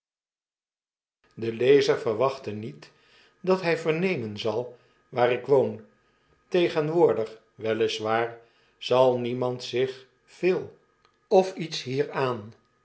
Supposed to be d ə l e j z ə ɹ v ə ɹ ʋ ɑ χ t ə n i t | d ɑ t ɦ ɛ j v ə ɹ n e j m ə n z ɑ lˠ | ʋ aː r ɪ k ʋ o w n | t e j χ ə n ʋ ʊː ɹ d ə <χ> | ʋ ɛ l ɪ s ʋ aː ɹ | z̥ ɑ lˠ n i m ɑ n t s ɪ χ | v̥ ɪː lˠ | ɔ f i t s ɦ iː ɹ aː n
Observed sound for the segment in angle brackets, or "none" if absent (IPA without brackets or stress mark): χ